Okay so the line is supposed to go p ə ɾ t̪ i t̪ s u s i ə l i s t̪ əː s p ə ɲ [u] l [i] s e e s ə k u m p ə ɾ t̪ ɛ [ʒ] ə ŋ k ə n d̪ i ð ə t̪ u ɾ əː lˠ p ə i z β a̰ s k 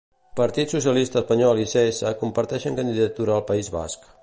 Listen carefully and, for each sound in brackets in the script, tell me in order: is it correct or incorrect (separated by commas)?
incorrect, correct, incorrect